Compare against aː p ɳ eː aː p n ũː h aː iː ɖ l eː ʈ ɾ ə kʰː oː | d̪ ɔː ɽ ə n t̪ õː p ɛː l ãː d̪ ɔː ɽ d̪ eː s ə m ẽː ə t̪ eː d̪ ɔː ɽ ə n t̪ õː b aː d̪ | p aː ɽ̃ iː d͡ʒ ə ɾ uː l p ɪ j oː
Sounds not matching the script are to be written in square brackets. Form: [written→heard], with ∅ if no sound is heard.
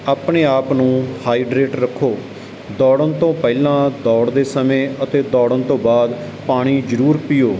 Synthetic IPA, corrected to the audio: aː p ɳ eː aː p n ũː h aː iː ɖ [l→ɾ] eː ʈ ɾ ə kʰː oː | d̪ ɔː ɽ ə n t̪ õː p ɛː l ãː d̪ ɔː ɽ d̪ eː s ə m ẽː ə t̪ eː d̪ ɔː ɽ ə n t̪ õː b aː d̪ | p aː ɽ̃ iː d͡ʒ ə ɾ uː [l→ɾ] p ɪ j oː